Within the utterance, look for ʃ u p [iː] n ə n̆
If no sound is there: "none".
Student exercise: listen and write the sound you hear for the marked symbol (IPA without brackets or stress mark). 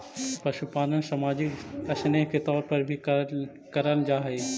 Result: aː